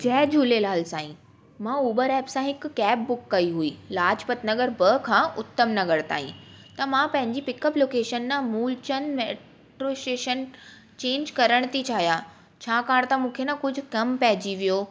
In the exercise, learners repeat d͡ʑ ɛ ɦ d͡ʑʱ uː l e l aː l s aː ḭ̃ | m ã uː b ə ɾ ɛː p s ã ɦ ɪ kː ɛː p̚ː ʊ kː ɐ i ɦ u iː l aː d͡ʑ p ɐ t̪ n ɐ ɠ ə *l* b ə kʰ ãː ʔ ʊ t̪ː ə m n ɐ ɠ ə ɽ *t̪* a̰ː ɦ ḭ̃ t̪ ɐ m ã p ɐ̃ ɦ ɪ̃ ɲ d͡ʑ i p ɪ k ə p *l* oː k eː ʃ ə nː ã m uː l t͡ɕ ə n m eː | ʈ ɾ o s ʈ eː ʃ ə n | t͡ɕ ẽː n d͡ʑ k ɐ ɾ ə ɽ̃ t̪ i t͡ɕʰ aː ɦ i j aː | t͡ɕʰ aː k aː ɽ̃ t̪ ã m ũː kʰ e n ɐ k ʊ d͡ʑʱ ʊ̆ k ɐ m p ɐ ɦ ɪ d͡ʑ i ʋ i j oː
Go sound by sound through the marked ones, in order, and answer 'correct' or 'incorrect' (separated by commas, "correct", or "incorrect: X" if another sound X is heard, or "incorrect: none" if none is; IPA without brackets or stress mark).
incorrect: ɾ, correct, correct